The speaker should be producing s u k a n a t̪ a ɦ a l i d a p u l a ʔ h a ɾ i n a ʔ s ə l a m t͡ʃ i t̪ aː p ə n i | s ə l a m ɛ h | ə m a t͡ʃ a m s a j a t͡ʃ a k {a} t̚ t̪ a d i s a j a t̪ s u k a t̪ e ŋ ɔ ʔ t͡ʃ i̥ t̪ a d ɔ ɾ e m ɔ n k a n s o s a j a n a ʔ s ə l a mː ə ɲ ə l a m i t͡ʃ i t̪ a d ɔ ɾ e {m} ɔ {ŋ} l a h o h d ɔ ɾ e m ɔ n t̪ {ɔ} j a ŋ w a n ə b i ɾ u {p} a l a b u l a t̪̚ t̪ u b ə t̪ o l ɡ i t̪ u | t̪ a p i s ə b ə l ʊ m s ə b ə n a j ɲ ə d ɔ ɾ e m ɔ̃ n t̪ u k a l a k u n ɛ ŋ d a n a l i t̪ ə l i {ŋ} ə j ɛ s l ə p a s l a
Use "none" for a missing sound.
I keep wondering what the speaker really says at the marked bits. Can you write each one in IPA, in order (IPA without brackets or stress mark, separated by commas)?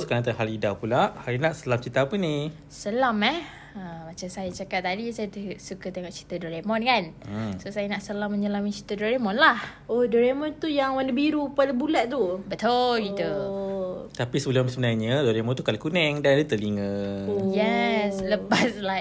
a, m, n, u, p, ŋ